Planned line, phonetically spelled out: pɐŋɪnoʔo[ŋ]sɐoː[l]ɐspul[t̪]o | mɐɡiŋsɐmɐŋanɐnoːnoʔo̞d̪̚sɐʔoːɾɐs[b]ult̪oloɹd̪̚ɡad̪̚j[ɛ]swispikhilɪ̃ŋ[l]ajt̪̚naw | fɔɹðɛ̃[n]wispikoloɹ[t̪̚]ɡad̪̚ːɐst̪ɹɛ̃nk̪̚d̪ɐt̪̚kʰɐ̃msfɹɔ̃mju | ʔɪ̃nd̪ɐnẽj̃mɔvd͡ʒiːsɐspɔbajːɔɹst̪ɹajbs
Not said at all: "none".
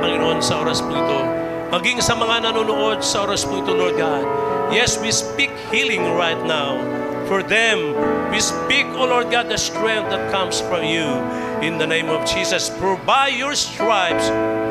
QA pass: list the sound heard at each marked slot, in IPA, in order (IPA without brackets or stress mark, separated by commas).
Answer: n, ɾ, t̪, p, ɛ, ɹ, m, d̪̚